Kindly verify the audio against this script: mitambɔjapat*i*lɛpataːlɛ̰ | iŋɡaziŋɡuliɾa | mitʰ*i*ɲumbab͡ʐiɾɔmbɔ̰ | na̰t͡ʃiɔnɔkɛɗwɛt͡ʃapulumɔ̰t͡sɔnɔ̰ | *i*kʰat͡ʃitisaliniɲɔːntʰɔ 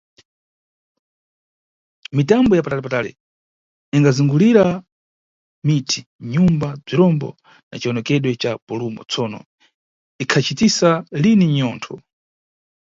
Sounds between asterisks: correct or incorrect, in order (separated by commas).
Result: incorrect, correct, correct